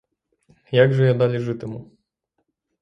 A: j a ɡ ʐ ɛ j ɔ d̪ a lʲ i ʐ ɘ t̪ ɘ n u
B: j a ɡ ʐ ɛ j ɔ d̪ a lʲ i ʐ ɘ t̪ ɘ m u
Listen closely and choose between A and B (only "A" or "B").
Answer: B